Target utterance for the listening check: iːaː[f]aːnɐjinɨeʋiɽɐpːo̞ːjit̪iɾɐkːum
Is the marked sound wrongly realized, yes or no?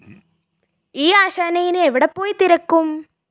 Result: yes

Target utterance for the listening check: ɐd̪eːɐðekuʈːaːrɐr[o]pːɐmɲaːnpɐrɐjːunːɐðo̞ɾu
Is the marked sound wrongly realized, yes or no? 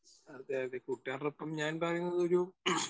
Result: no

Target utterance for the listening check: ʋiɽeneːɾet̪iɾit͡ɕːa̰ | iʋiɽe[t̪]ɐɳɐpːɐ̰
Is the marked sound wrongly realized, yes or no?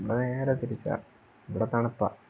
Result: no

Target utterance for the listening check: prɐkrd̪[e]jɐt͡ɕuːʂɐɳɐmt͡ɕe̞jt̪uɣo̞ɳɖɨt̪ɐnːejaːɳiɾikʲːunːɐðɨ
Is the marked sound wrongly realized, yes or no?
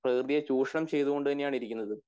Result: yes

